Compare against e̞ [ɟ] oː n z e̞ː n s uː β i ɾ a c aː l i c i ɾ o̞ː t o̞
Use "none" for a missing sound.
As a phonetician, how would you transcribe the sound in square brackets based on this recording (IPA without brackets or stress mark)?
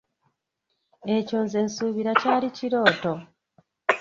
c